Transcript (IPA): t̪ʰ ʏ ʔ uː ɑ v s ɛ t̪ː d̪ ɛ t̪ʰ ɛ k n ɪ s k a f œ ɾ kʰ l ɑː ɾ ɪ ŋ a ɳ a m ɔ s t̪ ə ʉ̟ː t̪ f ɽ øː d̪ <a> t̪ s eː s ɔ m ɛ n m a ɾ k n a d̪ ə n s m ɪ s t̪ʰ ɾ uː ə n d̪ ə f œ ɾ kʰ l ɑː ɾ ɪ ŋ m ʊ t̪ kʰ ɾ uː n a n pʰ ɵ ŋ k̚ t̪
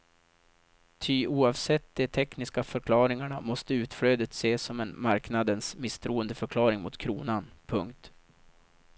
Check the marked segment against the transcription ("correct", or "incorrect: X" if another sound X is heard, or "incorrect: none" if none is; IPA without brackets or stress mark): incorrect: ə